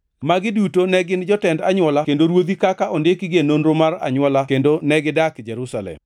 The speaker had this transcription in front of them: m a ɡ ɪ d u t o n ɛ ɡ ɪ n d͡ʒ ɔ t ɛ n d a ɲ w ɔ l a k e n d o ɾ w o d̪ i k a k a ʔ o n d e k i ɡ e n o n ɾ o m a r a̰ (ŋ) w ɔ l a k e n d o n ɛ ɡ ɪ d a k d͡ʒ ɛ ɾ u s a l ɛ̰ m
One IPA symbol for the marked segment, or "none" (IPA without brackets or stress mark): ɲ